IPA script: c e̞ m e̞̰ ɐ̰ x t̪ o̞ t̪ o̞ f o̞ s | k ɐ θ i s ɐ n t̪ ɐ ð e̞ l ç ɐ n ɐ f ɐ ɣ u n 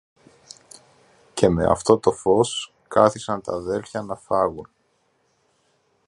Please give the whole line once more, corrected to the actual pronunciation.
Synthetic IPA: c e̞ m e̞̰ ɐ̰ f t̪ o̞ t̪ o̞ f o̞ s | k ɐ θ i s ɐ n t̪ ɐ ð e̞ l ç ɐ n ɐ f ɐ ɣ u n